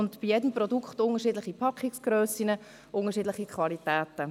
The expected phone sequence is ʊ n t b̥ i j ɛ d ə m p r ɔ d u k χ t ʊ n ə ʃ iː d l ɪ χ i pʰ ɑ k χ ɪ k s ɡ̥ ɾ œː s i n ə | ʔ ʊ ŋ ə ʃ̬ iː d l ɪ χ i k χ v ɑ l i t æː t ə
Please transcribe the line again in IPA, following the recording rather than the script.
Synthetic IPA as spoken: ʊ n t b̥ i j ɛ d ə m p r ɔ d u k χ t ʊ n ə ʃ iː d l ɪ χ i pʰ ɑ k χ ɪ k s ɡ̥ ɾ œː s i n ə | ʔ ʊ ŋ ə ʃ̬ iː d l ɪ χ i k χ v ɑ l i t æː t ə